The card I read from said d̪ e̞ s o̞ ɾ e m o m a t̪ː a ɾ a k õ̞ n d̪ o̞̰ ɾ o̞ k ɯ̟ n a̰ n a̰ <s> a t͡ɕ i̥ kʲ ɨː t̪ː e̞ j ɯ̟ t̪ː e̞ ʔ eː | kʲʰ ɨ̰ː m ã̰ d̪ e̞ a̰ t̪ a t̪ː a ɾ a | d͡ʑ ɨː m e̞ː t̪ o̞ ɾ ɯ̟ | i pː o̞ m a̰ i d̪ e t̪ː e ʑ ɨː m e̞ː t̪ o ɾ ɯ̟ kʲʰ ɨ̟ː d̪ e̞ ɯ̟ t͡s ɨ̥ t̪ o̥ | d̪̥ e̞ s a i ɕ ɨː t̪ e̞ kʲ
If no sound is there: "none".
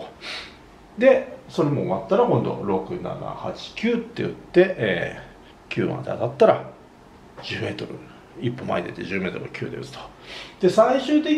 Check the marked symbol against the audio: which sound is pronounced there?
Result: h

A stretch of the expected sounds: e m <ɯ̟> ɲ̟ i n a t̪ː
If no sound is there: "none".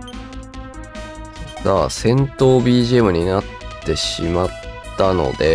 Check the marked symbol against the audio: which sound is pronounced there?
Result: ɯ̟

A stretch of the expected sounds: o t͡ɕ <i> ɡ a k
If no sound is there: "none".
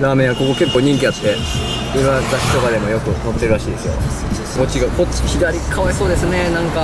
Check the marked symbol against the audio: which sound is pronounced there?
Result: i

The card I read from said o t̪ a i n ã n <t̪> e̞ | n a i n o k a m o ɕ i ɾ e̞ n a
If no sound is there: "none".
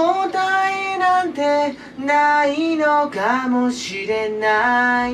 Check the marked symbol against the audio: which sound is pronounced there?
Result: t̪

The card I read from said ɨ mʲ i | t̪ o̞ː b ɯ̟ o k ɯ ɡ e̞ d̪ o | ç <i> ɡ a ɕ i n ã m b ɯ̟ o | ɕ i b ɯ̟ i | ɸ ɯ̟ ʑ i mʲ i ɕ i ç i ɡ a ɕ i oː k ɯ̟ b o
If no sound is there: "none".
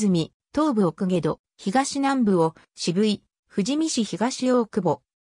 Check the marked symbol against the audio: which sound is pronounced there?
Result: i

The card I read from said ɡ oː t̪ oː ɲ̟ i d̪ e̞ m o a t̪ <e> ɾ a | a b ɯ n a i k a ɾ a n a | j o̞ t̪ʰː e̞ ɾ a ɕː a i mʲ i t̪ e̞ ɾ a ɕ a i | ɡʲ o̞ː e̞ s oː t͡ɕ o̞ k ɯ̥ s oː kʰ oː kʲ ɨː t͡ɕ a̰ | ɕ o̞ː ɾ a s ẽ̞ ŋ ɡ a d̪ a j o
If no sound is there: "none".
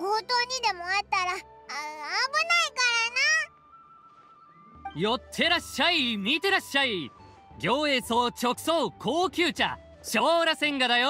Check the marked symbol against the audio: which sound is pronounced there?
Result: a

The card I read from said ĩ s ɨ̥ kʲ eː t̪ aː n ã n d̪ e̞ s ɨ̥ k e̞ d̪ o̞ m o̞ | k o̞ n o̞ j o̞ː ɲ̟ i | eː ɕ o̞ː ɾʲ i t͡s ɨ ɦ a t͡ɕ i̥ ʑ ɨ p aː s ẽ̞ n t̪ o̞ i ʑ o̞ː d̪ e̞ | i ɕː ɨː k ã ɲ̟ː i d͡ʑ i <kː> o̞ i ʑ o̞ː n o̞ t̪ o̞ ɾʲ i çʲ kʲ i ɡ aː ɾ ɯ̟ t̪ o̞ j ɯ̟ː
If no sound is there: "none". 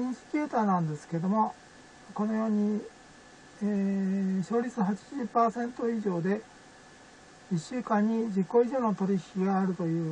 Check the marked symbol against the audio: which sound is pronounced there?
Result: kː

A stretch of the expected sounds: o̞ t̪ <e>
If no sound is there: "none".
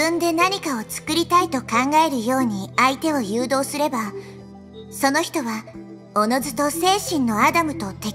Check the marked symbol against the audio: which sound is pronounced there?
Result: e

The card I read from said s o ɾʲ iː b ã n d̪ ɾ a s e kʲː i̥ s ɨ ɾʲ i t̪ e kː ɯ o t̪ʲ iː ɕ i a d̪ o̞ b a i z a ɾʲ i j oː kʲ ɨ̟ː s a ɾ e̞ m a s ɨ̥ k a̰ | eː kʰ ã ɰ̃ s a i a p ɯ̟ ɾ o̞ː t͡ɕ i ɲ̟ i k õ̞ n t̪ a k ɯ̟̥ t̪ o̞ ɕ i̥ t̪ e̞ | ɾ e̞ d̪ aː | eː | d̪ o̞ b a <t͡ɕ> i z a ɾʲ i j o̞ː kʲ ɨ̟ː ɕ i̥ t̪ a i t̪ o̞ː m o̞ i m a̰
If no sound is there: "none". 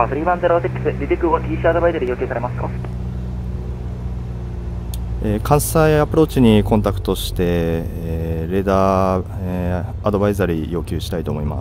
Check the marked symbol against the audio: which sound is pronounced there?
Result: none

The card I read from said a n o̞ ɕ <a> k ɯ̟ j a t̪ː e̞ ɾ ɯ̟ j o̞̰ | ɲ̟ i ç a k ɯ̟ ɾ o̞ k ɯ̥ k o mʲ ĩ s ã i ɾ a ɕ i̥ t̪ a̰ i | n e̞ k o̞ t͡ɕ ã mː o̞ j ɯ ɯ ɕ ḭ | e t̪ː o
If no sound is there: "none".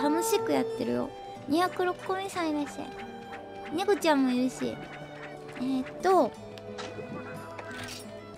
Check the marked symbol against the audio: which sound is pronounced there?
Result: i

